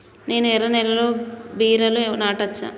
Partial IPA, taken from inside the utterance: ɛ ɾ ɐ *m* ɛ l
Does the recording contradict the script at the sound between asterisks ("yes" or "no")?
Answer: yes